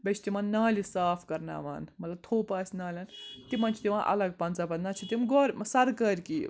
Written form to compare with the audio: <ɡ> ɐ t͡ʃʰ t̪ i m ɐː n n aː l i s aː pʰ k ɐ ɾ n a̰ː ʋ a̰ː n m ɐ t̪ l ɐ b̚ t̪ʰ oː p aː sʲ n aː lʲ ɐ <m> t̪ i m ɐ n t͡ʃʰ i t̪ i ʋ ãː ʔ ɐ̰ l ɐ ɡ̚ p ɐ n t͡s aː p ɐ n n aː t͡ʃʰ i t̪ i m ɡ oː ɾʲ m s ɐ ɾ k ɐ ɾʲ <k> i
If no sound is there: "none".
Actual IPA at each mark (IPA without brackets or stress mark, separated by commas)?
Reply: b, n, k